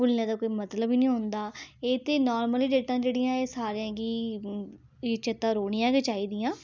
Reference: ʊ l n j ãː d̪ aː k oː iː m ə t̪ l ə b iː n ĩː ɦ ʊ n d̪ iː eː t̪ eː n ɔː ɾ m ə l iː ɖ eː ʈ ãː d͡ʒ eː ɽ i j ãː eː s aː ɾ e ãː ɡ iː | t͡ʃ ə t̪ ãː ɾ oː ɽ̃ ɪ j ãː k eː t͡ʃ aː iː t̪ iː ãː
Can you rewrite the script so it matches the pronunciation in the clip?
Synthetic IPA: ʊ l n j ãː d̪ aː k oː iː m ə t̪ l ə b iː n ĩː ɦ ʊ n d̪ aː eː t̪ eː n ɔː ɾ m ə l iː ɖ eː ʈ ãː d͡ʒ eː ɽ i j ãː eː s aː ɾ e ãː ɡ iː | t͡ʃ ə t̪ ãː ɾ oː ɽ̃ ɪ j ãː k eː t͡ʃ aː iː d̪ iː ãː